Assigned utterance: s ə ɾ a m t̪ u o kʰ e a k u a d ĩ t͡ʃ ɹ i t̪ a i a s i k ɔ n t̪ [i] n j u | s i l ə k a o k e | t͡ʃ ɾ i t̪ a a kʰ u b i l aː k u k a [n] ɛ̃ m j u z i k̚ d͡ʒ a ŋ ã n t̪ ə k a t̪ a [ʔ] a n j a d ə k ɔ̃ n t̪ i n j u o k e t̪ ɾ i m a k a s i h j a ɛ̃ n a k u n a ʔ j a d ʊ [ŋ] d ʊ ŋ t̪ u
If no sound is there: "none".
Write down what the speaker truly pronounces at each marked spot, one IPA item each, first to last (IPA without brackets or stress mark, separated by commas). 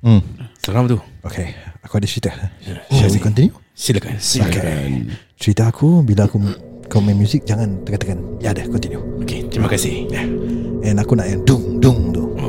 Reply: i, m, k, ŋ